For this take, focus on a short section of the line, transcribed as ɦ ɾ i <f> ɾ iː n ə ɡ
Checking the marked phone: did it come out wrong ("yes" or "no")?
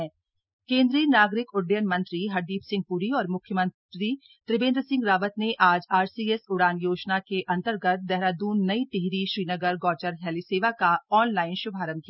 yes